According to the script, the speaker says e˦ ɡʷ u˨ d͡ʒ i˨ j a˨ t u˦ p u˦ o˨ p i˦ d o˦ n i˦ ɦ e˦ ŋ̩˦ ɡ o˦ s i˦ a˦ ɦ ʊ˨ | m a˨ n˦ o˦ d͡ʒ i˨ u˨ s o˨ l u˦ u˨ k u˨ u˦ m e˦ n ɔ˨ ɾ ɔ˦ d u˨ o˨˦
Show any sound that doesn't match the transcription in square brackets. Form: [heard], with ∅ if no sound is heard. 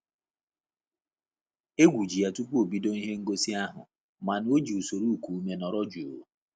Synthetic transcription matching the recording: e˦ ɡʷ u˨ d͡ʒ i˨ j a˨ t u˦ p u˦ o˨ [b] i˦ d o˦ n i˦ ɦ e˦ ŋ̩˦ ɡ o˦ s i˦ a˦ ɦ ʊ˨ | m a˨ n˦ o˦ d͡ʒ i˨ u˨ s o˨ [ɾ] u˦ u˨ k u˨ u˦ m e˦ n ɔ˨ ɾ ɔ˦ [d͡ʒ] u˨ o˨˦